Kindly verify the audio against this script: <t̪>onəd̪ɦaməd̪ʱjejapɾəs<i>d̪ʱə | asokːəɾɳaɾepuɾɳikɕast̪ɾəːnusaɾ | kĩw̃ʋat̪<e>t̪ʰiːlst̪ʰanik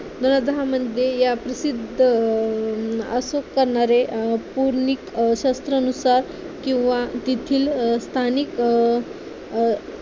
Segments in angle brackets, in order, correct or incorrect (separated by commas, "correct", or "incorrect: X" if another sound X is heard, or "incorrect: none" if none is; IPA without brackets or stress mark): incorrect: d̪, correct, incorrect: i